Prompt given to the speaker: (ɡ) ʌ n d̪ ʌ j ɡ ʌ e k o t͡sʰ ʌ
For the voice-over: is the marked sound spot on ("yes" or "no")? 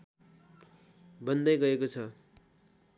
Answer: no